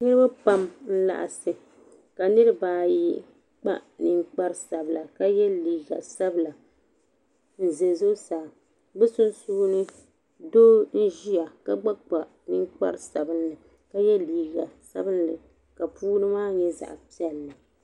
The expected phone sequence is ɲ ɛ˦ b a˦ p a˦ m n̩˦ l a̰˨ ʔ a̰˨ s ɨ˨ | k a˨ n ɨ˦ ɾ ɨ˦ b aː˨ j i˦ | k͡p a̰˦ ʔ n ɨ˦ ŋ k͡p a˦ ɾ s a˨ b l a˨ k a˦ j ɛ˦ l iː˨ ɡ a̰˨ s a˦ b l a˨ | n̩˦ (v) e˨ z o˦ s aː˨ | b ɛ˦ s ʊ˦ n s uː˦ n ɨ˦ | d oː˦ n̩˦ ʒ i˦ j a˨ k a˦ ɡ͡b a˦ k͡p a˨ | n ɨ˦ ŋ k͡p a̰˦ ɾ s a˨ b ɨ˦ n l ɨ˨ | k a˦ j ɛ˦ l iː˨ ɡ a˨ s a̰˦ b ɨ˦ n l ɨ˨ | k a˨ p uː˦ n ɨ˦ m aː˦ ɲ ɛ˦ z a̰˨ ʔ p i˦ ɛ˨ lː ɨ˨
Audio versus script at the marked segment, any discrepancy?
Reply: yes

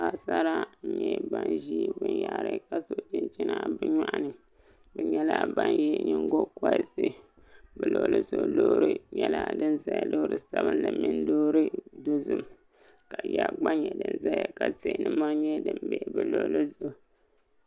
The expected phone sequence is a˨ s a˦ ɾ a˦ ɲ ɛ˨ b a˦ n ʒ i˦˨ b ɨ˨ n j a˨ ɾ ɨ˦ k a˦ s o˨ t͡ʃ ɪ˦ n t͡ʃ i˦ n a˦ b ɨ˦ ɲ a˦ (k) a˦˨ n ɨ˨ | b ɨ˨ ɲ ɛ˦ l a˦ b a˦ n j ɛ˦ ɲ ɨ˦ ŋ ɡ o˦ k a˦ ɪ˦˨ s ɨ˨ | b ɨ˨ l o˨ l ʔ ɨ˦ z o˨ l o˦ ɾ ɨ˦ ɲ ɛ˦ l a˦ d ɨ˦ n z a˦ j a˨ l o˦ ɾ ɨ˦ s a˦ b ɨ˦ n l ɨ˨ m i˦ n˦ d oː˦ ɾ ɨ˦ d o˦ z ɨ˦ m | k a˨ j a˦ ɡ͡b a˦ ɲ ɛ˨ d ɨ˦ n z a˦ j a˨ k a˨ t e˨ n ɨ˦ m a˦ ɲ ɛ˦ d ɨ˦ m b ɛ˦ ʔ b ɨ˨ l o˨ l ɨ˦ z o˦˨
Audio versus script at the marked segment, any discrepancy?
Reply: yes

